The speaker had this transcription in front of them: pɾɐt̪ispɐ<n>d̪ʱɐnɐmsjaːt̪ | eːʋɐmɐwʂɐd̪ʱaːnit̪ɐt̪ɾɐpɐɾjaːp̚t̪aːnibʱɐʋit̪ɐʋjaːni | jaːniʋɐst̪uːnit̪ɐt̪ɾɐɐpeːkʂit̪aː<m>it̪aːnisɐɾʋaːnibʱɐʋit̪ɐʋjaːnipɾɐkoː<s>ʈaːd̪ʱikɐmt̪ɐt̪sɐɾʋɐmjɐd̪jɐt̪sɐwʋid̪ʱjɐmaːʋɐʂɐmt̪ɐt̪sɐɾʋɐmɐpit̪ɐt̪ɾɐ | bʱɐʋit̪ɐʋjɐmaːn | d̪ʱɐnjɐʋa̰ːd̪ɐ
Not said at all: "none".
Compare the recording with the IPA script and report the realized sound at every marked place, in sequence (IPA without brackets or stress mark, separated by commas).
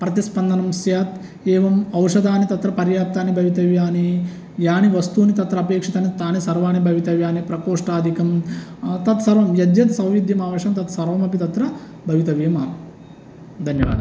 n, n, ʂ